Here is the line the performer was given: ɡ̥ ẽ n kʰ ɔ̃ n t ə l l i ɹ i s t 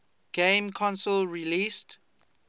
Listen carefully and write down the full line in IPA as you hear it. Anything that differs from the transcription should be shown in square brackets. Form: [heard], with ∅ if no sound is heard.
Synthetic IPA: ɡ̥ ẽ [m] kʰ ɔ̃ n [s] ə l [ɹ] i [l] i s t